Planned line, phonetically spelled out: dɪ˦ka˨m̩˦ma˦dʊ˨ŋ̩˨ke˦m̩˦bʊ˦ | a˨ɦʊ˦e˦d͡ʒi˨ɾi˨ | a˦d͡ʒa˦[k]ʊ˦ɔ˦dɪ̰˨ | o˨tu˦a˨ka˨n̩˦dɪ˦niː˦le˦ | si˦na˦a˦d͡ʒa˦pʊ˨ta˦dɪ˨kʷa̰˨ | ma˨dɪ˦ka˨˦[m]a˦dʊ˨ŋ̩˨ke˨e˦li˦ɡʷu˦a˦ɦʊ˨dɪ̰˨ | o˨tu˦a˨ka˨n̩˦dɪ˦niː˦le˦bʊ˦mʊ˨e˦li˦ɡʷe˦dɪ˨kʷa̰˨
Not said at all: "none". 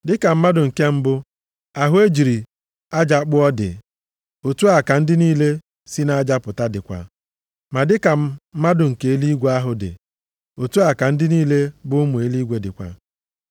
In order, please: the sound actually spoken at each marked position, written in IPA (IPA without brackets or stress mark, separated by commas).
k͡p, m